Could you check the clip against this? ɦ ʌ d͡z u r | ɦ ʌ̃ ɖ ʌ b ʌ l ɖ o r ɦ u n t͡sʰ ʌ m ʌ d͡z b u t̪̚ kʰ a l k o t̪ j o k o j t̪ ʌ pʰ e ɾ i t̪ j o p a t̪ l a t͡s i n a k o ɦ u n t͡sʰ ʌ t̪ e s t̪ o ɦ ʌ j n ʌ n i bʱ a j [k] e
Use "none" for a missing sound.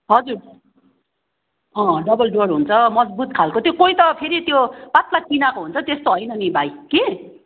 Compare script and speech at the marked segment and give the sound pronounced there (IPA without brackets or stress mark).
k